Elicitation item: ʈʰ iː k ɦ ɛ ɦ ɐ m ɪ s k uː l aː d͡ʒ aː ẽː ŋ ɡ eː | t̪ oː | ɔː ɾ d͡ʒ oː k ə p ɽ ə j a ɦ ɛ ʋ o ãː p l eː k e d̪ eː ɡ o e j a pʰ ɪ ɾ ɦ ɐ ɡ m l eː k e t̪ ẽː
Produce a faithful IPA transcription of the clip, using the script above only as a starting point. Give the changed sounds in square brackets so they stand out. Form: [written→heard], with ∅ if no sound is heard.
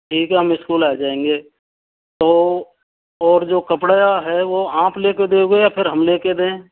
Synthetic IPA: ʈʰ iː k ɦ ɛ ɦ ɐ m ɪ s k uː l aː d͡ʒ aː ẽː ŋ ɡ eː | t̪ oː | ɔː ɾ d͡ʒ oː k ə p ɽ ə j a ɦ ɛ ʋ o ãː p l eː k e d̪ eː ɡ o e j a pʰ ɪ ɾ ɦ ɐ [ɡ→∅] m l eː k e [t̪→d̪] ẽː